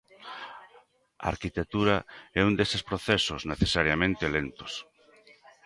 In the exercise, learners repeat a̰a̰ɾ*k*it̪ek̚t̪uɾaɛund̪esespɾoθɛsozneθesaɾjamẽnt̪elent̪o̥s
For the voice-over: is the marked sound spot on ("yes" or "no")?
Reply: yes